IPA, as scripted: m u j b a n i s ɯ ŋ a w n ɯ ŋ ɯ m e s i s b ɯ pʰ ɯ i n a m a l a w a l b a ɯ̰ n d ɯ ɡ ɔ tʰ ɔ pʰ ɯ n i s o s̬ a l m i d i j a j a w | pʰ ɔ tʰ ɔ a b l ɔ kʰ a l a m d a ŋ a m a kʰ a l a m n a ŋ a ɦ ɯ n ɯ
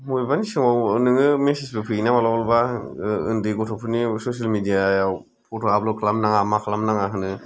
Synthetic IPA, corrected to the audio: m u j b a n i s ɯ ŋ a w n ɯ ŋ ɯ m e s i s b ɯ pʰ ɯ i n a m a l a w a l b a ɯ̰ n d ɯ ɡ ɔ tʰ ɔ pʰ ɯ n i s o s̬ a l m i d i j a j a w | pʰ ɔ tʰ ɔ a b l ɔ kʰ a l a m n a ŋ a m a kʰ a l a m n a ŋ a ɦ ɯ n ɯ